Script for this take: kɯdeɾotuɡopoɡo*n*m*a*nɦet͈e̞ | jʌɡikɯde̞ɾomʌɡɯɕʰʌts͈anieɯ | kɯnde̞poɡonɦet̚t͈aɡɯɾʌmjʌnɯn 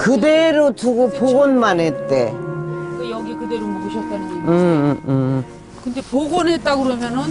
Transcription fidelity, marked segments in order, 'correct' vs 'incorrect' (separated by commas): correct, correct